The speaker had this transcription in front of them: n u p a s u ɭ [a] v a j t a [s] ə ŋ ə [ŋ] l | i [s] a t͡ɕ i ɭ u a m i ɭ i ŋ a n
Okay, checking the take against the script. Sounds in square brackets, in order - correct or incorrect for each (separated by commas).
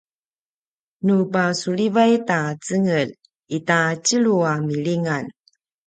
incorrect, incorrect, incorrect, incorrect